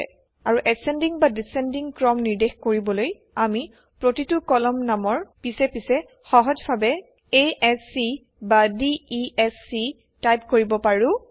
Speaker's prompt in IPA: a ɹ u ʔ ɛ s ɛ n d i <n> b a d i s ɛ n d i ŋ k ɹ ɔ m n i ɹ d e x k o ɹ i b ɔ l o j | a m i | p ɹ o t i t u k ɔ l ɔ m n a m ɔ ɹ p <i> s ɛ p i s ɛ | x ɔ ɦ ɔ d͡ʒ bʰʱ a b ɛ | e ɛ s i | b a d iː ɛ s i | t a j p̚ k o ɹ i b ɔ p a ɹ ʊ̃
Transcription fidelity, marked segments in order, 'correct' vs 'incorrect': incorrect: ŋ, correct

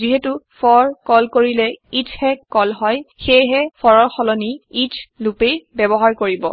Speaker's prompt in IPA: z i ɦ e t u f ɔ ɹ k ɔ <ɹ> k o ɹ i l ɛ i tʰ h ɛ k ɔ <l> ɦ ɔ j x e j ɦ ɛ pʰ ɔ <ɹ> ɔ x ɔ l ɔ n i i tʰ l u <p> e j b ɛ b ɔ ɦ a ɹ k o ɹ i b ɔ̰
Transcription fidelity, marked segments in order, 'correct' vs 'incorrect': incorrect: l, correct, correct, correct

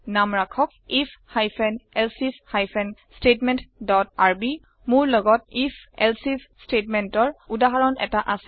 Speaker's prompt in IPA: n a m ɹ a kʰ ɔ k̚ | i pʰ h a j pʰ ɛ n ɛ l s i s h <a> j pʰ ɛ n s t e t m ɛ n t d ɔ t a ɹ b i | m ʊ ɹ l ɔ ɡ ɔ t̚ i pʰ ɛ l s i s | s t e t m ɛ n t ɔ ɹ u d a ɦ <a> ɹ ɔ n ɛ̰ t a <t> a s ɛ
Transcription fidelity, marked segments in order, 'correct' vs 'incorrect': correct, correct, incorrect: ʔ

